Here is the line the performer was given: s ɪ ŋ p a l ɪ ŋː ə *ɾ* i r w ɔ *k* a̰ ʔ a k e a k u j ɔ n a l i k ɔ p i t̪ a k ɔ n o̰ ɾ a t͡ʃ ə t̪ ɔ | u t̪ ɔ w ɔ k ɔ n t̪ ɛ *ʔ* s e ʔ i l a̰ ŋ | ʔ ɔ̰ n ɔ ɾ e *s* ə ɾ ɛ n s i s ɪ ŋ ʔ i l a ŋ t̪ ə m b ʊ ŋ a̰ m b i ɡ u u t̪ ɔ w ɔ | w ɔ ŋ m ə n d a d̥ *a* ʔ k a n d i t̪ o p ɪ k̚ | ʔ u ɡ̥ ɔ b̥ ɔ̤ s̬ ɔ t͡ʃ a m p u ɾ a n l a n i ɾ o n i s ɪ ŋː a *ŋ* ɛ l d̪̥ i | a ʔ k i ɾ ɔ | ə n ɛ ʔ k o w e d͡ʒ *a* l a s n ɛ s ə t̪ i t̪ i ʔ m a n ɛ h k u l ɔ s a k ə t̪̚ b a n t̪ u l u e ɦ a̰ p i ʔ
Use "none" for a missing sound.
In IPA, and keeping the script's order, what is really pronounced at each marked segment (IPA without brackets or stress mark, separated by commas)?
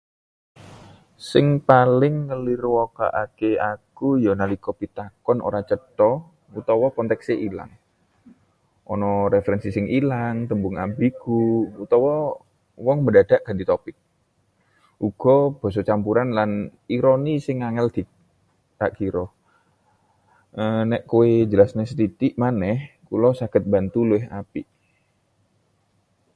l, k, k, f, a, ŋ, ə